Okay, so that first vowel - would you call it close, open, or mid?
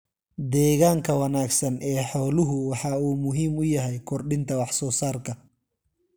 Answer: mid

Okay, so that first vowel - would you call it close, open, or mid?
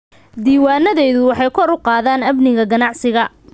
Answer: close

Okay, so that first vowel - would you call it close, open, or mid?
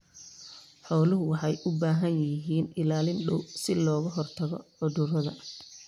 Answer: mid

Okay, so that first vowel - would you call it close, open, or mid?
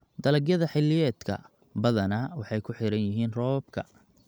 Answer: open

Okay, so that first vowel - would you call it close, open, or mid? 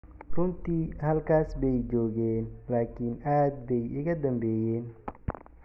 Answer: close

